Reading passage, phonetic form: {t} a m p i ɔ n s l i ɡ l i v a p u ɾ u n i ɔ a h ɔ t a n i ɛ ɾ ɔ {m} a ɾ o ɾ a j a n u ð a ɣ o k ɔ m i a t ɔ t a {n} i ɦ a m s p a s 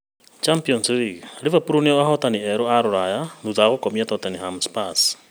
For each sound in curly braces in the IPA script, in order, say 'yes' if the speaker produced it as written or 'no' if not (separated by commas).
no, no, yes